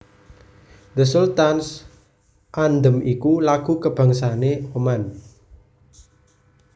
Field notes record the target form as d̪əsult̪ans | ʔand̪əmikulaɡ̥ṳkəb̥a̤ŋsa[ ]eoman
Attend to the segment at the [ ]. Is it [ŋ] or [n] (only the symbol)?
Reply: n